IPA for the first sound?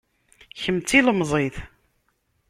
ç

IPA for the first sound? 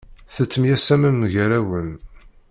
θ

